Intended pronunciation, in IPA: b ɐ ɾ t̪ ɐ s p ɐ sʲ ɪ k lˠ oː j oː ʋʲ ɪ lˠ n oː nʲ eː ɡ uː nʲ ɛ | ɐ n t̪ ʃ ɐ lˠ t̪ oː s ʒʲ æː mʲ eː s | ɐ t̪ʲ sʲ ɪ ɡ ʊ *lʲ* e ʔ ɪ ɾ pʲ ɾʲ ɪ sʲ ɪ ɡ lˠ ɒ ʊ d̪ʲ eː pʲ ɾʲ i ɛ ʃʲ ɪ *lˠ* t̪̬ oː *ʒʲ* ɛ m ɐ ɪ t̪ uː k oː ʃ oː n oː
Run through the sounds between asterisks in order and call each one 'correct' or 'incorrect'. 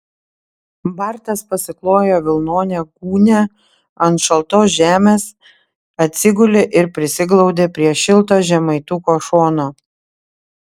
correct, correct, correct

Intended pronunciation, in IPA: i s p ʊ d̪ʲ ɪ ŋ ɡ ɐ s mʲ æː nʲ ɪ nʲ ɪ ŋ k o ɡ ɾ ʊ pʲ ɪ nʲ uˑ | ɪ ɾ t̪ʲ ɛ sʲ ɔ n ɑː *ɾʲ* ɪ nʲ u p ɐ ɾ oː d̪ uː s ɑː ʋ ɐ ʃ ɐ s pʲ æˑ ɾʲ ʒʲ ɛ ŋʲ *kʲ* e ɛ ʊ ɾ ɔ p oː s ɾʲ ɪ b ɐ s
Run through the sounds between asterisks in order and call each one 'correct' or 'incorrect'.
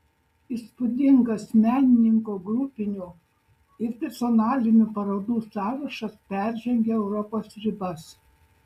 incorrect, incorrect

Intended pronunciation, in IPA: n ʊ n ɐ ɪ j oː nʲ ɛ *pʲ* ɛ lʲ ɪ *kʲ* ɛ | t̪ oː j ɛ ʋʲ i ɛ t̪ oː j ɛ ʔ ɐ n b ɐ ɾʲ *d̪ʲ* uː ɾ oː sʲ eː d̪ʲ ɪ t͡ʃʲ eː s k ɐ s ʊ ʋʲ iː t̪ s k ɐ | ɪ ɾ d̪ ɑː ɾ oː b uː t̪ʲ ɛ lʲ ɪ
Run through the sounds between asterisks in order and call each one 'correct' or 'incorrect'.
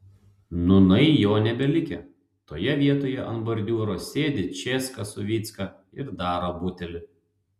incorrect, correct, correct

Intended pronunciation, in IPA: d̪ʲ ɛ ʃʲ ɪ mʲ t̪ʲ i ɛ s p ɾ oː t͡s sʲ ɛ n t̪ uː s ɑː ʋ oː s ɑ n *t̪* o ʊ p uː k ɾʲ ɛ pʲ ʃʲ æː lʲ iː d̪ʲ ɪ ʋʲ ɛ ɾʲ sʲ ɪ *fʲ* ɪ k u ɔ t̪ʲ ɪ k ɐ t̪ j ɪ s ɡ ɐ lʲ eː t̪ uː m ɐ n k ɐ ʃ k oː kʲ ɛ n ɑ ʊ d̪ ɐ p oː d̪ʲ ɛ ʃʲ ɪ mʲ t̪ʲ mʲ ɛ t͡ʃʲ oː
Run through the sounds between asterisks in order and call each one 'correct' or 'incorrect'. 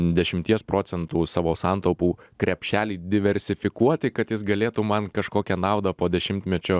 correct, correct

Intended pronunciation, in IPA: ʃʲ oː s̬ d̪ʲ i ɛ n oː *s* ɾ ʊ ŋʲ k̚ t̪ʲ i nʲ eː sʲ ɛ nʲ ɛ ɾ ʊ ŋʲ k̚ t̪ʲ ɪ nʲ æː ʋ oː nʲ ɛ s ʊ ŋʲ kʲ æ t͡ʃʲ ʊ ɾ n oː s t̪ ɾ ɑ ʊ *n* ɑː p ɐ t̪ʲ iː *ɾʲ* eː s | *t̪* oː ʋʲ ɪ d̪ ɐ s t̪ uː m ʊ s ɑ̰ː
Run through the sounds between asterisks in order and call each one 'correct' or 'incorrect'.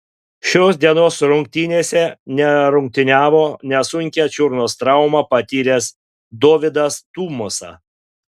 correct, incorrect, correct, incorrect

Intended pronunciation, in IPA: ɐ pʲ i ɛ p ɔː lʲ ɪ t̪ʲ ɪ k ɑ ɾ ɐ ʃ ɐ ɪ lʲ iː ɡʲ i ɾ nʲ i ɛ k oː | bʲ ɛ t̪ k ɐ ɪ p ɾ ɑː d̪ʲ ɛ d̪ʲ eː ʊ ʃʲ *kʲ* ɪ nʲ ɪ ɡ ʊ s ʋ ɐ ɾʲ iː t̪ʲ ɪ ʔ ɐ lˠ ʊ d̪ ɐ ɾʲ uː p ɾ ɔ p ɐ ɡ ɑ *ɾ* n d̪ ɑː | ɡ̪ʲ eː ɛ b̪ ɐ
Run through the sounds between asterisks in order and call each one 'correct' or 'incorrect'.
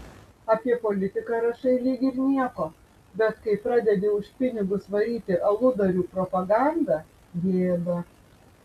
incorrect, incorrect

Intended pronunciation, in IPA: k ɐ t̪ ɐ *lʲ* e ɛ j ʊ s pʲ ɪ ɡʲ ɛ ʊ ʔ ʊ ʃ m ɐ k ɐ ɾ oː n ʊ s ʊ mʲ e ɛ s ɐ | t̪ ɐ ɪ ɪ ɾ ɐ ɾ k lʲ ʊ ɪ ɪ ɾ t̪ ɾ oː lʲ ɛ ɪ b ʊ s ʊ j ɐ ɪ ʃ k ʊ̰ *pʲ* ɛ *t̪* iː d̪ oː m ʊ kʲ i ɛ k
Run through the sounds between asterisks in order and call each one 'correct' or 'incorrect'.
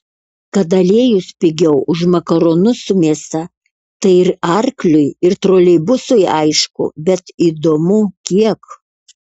correct, incorrect, correct

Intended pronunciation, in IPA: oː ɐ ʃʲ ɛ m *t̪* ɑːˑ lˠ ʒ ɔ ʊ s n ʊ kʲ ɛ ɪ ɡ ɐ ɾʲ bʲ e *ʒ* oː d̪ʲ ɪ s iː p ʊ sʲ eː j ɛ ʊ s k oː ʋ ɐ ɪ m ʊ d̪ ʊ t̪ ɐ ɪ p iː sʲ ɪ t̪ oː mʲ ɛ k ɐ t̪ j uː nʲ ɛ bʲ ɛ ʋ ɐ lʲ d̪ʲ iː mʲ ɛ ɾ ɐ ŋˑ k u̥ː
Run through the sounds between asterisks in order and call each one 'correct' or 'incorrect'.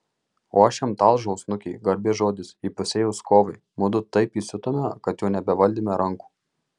correct, correct

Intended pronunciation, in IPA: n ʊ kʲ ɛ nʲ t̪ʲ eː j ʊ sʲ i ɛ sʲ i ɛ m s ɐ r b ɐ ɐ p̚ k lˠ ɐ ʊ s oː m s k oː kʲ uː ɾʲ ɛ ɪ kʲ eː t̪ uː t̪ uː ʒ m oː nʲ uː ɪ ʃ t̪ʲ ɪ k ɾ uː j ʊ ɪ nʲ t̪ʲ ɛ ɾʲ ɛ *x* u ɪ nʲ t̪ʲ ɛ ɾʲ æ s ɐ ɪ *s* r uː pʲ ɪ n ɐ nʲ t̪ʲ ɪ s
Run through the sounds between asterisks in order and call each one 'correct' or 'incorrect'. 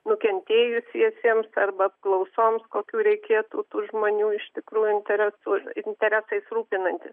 incorrect, correct

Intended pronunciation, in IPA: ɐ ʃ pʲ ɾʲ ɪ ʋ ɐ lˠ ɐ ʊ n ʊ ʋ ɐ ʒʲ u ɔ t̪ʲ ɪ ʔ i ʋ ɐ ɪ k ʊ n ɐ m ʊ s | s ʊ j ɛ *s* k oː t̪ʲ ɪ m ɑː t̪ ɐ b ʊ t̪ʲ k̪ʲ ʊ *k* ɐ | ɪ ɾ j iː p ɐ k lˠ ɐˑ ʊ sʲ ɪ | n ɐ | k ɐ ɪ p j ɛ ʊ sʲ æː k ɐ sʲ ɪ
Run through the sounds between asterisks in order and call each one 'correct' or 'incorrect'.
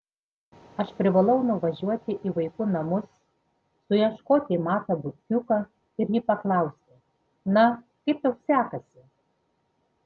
incorrect, correct

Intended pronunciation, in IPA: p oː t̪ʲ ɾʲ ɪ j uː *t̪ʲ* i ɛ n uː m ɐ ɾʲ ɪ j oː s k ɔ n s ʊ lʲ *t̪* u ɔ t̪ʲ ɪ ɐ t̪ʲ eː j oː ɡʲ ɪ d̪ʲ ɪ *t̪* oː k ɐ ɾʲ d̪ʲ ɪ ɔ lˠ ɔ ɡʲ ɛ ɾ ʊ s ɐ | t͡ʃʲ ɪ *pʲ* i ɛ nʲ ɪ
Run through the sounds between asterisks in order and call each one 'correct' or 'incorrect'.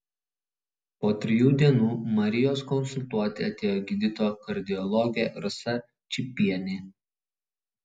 incorrect, correct, correct, correct

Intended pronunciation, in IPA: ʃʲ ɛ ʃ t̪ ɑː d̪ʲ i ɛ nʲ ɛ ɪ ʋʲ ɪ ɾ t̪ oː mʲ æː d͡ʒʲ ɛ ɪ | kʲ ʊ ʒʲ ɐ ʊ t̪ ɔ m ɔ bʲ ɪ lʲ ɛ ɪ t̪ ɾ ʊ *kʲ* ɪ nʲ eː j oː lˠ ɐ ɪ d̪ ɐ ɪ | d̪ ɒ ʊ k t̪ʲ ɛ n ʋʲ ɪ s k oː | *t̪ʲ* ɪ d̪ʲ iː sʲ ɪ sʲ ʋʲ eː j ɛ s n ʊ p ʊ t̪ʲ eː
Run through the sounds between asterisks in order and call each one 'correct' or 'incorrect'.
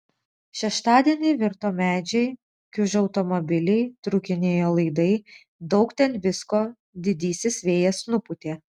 correct, incorrect

